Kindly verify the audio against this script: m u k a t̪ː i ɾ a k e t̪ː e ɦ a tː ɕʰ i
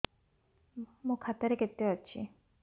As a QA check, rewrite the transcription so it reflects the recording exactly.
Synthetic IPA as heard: m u kʰ a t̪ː a ɾ e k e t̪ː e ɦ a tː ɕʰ i